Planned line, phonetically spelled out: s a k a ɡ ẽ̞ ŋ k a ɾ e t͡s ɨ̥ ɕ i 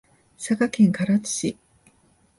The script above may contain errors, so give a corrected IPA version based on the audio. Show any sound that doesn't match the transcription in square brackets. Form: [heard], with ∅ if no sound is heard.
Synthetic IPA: s a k a [k] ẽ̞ ŋ k a ɾ [a] t͡s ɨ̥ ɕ i